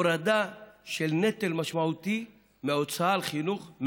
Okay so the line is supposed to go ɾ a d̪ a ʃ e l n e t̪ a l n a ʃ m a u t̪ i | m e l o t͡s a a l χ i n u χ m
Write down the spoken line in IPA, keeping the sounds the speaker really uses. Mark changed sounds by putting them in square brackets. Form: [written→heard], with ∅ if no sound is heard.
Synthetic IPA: ɾ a d̪ a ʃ e l n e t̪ [a→e] l [n→m] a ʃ m a u t̪ i | m e [l→∅] o t͡s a a l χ i n u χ m